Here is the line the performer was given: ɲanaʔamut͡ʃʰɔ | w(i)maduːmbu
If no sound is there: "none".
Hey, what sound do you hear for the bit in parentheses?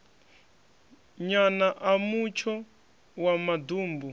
a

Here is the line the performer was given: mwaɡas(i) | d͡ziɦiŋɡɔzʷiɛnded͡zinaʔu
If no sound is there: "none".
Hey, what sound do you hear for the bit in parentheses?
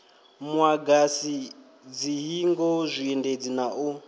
i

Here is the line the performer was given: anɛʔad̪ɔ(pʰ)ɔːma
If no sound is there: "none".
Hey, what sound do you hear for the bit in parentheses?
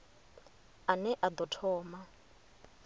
tʰ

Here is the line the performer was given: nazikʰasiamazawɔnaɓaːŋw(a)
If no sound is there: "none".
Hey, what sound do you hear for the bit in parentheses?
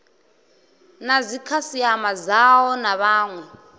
ɛ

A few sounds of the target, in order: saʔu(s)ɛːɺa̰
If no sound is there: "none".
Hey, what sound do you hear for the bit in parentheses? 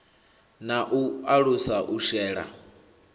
ʃ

